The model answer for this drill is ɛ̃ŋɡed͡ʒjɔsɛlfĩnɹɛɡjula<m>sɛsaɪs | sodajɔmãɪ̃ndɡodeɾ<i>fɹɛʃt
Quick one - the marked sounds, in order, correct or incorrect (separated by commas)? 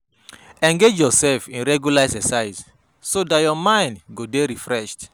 incorrect, correct